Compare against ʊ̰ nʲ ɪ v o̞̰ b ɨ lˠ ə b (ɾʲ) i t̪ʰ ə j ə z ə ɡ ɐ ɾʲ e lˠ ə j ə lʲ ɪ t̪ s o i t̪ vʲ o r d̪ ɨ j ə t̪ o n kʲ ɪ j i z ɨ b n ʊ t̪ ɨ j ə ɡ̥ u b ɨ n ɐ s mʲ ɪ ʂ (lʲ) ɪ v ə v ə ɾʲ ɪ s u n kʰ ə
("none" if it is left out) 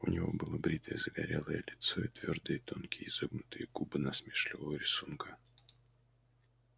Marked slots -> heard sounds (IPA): ɾʲ, lʲ

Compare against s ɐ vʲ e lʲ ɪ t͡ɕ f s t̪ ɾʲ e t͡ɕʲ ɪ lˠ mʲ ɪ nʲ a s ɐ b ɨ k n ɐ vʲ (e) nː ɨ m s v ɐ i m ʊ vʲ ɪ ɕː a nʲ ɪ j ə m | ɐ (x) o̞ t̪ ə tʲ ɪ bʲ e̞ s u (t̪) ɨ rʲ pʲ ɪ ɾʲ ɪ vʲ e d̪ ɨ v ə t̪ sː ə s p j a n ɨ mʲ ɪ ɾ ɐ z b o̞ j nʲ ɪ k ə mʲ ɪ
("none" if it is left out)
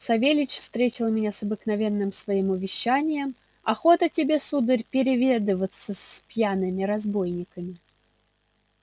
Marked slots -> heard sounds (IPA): e, x, d̪

